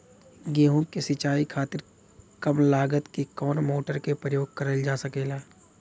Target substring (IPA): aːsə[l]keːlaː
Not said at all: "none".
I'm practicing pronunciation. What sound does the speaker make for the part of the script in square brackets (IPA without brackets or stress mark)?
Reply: none